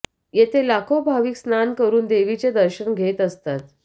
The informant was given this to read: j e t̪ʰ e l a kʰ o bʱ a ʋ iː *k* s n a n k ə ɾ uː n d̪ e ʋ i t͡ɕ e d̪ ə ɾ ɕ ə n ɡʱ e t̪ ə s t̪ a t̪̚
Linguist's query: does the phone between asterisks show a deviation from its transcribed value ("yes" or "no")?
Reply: no